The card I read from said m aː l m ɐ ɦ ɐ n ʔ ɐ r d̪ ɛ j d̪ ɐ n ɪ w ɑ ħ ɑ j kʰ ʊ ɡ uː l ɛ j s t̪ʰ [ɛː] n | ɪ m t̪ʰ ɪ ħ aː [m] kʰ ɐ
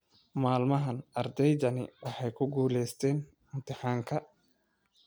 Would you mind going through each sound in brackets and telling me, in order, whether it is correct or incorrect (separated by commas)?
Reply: correct, incorrect